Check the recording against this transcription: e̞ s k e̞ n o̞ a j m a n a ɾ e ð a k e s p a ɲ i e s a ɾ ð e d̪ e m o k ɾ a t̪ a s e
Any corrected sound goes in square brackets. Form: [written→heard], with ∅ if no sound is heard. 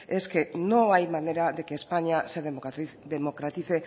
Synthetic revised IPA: e̞ s k e̞ n o̞ a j m a n [a→e] ɾ [e→a] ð [a→e] k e s p a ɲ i [e→a] s [a→e] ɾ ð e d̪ e m o k ɾ a t̪ [a→i] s e